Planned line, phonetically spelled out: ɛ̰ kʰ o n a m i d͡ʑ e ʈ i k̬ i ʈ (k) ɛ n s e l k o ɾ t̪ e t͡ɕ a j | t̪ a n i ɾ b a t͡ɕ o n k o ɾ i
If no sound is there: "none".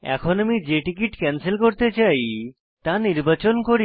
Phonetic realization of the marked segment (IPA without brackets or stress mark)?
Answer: k